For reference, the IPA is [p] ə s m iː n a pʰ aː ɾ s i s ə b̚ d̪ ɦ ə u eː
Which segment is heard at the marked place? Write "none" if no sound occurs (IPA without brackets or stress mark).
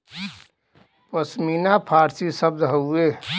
p